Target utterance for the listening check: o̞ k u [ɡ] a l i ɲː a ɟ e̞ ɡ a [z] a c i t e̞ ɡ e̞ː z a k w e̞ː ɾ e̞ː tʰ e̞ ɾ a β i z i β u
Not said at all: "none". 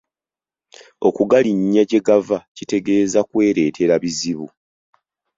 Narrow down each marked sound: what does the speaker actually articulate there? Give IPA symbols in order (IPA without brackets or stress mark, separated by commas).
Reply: ɡ, v